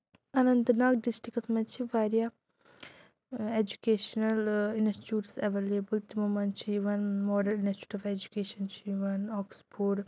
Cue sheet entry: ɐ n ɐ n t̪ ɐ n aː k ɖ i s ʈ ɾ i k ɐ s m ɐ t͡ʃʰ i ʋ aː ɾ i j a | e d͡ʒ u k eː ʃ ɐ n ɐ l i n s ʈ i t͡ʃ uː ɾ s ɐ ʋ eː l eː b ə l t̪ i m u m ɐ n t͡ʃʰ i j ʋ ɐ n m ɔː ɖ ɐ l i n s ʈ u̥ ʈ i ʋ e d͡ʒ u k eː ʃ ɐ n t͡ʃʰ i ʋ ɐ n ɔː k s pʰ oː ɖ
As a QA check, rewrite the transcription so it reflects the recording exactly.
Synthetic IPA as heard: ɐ n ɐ n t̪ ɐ n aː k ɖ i s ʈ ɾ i k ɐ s m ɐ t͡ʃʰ i ʋ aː ɾ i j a | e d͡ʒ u k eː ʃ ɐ n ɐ l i n s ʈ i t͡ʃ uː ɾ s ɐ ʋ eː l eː b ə l t̪ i m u m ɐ n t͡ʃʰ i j ʋ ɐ n m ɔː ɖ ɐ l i n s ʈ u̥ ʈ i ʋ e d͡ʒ u k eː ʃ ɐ n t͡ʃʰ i ʋ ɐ n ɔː k s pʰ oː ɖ